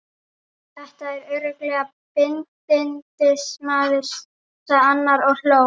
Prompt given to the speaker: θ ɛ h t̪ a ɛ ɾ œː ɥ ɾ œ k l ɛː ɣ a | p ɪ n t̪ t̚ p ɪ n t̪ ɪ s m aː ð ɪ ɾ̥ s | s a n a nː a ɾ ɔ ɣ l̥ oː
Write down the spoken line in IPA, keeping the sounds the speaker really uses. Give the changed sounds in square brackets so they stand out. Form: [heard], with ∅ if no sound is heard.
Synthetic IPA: θ ɛ h t̪ a ɛ ɾ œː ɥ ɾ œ k l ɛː ɣ a | p ɪ n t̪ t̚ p ɪ n t̪ ɪ s m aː ð ɪ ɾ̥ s | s a [∅] a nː a ɾ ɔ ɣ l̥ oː